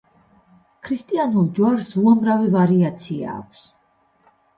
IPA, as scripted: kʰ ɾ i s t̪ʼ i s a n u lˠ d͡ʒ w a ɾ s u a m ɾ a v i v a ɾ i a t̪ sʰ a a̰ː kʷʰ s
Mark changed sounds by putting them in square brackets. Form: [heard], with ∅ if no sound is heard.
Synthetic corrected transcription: kʰ ɾ i s t̪ʼ i [∅] a n u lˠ d͡ʒ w a ɾ s u a m ɾ a v i v a ɾ i a t̪ sʰ [i] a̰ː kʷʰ s